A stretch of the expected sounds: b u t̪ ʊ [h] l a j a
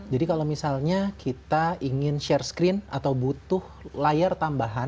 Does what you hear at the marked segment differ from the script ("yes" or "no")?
no